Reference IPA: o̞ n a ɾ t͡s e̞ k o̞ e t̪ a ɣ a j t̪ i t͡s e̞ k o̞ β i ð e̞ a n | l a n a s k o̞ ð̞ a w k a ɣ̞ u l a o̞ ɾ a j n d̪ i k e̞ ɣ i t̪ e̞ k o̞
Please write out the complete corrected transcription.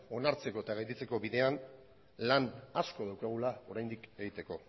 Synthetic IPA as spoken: o̞ n a ɾ t͡s e̞ k o̞ e t̪ a ɣ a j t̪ i t͡s e̞ k o̞ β i ð e̞ a n | l a n a s k o̞ ð̞ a w k a ɣ̞ u l a o̞ ɾ a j n d̪ i k e̞ ɣ i t̪ e̞ k o̞

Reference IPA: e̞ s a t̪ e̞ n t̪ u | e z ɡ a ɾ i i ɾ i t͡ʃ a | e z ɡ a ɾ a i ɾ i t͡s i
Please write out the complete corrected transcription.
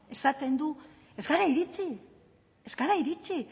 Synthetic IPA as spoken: e̞ s a t̪ e̞ n d̪ u | e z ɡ a ɾ a i ɾ i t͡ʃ i | e z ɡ a ɾ a i ɾ i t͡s i

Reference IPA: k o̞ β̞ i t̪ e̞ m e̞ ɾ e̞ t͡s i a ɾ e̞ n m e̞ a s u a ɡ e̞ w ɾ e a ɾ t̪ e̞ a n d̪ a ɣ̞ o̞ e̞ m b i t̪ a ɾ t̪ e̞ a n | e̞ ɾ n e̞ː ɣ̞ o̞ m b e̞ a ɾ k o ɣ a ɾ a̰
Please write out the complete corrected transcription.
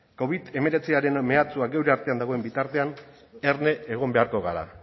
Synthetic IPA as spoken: k o̞ β̞ i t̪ e̞ m e̞ ɾ e̞ t͡s i a ɾ e̞ n m e̞ a t͡s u a ɡ e̞ w ɾ e a ɾ t̪ e̞ a n d̪ a ɣ̞ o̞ e̞ m b i t̪ a ɾ t̪ e̞ a n | e̞ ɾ n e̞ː ɣ̞ o̞ m b e̞ a ɾ k o ɣ a ɾ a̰

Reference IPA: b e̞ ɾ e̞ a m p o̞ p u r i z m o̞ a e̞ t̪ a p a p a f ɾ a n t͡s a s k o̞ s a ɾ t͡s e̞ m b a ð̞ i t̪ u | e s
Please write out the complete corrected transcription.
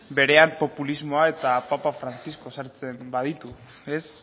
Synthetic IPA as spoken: b e̞ ɾ e̞ a m p o̞ p u l i z m o̞ a e̞ t̪ a p a p a f ɾ a n t͡s i s k o̞ s a ɾ t͡s e̞ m b a ð̞ i t̪ u | e s

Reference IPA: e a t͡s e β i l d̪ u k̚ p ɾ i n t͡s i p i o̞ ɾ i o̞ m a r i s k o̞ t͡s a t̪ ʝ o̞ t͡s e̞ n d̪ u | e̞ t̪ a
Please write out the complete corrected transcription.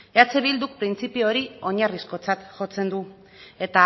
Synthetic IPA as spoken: e a t͡s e β i l d̪ u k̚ p ɾ i n t͡s i p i o̞ ɾ i o̞ ɲ a r i s k o̞ t͡s a t̪ ʝ o̞ t͡s e̞ n d̪ u | e̞ t̪ a

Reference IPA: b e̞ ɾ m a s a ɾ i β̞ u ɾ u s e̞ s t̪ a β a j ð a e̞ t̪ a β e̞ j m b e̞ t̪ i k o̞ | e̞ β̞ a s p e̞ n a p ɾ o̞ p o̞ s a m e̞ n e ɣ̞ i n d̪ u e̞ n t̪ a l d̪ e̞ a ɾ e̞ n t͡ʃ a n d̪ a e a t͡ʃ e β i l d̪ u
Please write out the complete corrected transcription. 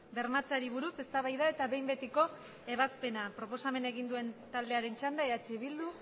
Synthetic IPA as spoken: b e̞ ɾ m a t͡s a ɾ i β̞ u ɾ u s e̞ s t̪ a β a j ð a e̞ t̪ a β e̞ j m b e̞ t̪ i k o̞ | e̞ β̞ a s p e̞ n a p ɾ o̞ p o̞ s a m e̞ n e ɣ̞ i n d̪ u e̞ n t̪ a l d̪ e̞ a ɾ e̞ n t͡ʃ a n d̪ a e a t͡ʃ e β i l d̪ u

